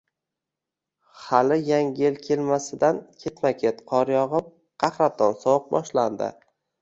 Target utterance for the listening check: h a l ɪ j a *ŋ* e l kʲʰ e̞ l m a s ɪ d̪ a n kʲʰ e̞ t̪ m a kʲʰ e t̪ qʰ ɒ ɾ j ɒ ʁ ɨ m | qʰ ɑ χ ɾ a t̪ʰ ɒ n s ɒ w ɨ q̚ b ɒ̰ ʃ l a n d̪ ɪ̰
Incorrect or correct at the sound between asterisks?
correct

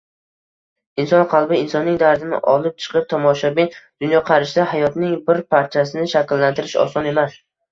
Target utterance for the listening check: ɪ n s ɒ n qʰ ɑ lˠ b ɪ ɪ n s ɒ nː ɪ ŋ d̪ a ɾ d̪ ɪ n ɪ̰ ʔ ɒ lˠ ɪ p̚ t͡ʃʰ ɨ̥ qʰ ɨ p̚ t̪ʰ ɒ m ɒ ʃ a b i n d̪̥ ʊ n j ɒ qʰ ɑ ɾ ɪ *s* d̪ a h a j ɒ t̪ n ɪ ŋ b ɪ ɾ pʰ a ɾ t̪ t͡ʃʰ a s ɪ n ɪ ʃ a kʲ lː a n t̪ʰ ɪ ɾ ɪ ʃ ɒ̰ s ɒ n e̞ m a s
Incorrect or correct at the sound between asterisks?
incorrect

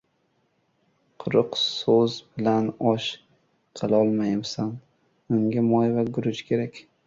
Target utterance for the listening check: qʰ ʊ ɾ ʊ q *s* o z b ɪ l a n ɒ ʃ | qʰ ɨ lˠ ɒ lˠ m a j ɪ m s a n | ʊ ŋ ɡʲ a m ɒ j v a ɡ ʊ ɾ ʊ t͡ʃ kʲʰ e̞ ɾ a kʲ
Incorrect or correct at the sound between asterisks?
correct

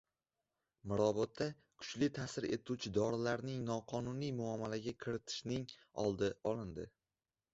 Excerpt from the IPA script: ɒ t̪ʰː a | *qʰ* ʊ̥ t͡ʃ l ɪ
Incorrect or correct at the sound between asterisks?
incorrect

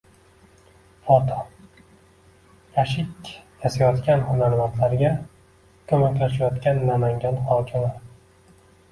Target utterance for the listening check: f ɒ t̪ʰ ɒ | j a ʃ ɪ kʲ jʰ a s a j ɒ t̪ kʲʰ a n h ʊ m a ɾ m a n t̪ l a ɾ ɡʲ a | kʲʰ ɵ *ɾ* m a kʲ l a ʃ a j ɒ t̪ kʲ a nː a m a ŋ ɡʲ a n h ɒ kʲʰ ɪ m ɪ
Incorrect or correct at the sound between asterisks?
incorrect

